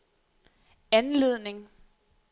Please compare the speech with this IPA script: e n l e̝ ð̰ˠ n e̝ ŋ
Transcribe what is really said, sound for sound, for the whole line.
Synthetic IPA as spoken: æ n l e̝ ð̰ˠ n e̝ ŋ